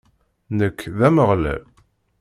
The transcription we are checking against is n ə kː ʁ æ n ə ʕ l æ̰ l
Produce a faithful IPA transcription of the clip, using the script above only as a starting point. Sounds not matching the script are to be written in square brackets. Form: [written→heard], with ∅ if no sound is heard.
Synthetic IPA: n ə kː [ʁ→ð] æ [n→m] ə [ʕ→ʁ] l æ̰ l

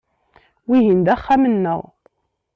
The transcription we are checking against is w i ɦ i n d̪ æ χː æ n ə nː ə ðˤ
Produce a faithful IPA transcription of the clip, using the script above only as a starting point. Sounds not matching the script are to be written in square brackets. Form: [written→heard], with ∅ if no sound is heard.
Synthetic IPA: w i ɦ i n d̪ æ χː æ [n→m] ə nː ə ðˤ

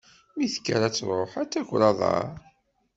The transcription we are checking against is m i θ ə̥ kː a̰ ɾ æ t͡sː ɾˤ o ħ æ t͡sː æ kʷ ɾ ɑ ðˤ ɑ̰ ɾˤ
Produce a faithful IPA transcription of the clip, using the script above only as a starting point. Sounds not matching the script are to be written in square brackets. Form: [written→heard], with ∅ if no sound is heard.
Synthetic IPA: m i θ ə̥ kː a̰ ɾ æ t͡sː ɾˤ o ħ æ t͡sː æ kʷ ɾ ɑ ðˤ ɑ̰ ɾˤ

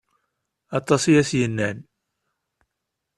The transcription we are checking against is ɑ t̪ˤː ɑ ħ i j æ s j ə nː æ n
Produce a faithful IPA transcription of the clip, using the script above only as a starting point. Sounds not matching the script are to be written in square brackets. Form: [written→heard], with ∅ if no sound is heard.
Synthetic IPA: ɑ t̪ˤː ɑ [ħ→s] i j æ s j ə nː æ n

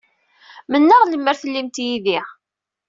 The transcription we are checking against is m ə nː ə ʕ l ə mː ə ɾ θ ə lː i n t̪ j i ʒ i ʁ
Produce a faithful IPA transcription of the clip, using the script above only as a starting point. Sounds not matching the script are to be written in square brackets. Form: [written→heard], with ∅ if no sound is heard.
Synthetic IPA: m ə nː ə [ʕ→ʁ] l ə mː ə ɾ θ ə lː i [n→m] t̪ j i [ʒ→ð] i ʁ

